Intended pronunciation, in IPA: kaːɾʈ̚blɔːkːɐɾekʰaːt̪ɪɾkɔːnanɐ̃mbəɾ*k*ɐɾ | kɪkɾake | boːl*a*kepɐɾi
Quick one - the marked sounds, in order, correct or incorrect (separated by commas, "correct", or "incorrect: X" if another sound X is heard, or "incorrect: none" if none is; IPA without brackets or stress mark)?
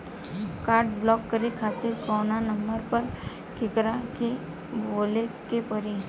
incorrect: p, incorrect: e